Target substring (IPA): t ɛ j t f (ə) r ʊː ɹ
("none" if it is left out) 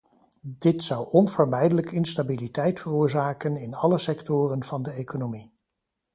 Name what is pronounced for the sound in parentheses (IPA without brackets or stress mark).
ə